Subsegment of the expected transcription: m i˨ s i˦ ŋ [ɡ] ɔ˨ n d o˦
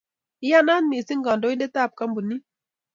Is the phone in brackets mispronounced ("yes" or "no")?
no